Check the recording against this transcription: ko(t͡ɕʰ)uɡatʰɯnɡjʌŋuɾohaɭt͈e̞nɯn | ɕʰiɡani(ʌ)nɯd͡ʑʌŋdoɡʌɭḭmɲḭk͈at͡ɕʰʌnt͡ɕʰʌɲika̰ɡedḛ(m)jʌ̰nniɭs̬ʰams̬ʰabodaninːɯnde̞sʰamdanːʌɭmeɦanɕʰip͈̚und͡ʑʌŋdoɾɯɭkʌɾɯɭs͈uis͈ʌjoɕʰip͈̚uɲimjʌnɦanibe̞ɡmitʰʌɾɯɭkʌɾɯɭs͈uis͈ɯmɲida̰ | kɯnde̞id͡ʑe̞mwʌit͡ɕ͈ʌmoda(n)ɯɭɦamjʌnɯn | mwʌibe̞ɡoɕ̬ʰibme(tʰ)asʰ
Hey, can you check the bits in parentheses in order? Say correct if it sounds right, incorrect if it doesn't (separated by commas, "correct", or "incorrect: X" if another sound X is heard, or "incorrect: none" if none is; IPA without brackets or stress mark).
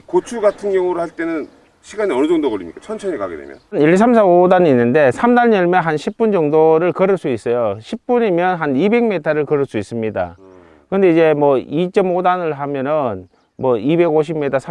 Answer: correct, correct, correct, correct, correct